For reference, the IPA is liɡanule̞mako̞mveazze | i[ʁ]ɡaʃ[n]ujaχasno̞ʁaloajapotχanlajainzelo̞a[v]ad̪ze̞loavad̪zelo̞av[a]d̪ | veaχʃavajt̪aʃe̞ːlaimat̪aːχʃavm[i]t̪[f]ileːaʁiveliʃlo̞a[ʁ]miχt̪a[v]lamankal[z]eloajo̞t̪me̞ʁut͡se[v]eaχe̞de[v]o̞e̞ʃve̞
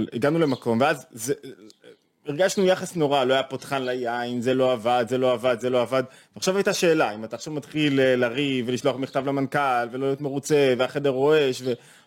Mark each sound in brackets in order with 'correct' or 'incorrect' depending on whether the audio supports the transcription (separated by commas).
correct, correct, correct, correct, incorrect, incorrect, incorrect, correct, incorrect, correct, incorrect